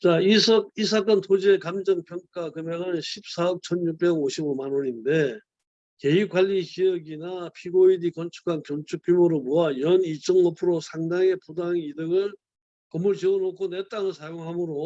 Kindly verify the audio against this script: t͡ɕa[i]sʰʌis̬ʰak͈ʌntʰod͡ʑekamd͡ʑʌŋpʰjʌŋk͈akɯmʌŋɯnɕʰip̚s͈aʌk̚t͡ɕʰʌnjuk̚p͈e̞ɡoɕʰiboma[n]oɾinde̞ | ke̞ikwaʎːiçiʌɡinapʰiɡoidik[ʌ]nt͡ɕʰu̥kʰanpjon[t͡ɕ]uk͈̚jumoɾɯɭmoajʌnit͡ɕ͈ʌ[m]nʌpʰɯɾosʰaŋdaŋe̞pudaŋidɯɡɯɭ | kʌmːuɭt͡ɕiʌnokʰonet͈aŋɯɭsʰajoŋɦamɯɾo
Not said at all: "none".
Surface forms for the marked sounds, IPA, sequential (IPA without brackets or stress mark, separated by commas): i, n, ʌ, t͡ɕʰ, ŋ